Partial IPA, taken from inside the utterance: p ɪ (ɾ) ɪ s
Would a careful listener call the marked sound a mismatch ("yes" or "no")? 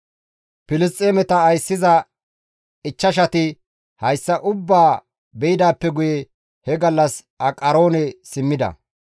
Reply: yes